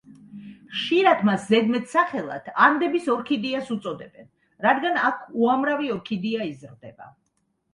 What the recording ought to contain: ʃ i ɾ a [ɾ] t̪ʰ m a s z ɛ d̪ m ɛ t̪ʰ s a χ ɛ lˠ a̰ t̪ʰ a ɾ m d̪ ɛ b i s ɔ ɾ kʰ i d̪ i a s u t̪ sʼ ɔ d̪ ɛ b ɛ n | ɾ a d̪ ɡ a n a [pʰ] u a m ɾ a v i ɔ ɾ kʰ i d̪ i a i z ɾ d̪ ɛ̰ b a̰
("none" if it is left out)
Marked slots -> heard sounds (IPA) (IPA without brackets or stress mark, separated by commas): none, kʰ